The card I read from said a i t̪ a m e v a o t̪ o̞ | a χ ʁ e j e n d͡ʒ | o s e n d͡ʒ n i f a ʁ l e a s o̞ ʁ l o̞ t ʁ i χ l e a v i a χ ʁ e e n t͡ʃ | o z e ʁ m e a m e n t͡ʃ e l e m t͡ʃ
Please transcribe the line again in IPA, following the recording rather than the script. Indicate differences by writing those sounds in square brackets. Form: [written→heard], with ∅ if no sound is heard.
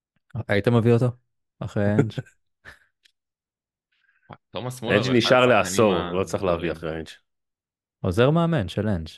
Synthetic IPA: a i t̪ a m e v [a→i] o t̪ o̞ | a χ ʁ e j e n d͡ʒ | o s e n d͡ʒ n i [f→ʃ] a ʁ l e a s o̞ ʁ l o̞ [t→t͡s] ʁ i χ l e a v i a χ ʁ e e n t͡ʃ | o z e ʁ m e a m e n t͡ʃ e l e [m→n] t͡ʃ